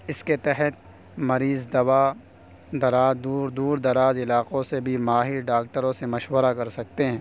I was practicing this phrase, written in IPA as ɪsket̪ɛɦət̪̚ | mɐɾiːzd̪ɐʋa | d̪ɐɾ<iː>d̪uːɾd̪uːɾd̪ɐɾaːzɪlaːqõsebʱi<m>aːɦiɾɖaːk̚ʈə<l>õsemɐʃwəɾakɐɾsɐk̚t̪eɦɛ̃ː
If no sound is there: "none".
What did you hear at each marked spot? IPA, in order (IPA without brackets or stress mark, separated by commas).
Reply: aː, m, ɾ